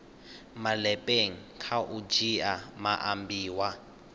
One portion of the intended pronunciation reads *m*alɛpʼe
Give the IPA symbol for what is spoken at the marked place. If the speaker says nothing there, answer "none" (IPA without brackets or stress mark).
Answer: m